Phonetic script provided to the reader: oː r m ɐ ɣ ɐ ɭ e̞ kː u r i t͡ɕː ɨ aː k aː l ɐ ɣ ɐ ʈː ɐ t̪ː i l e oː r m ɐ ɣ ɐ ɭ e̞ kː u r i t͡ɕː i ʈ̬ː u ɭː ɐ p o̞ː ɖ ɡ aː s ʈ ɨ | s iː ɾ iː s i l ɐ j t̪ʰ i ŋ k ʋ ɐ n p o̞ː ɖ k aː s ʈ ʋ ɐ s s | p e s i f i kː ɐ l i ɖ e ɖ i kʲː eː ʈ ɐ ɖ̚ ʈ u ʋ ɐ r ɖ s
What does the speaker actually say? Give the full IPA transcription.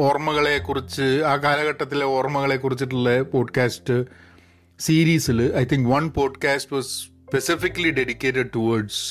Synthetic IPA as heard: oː r m ɐ ɣ ɐ ɭ e̞ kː u r i t͡ɕː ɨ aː k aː l ɐ ɣ ɐ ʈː ɐ t̪ː i l e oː r m ɐ ɣ ɐ ɭ e̞ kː u r i t͡ɕː i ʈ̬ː u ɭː ɐ p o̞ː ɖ k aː s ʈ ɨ | s iː ɾ iː s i l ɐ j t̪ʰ i ŋ k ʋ ɐ n p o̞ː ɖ k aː s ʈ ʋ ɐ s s | p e s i f i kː ɐ l i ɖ e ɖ i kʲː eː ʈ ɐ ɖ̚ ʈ u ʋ ɐ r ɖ s